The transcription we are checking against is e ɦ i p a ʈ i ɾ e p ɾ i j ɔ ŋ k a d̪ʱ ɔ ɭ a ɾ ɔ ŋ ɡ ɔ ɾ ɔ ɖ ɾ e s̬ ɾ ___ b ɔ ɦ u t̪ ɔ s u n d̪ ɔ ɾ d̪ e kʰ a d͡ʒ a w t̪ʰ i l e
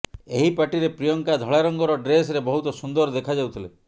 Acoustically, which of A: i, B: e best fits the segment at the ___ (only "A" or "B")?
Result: B